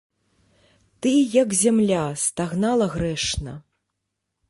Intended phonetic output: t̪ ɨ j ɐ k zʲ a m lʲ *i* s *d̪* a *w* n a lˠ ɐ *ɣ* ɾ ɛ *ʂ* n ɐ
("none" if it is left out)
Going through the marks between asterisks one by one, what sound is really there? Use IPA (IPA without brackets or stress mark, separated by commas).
a, t̪, ɣ, ɣ, ʂ